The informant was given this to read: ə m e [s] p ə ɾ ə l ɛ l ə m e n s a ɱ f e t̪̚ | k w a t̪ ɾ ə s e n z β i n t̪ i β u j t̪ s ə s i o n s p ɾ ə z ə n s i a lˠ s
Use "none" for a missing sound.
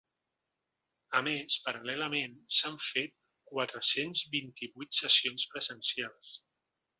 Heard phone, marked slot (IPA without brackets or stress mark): s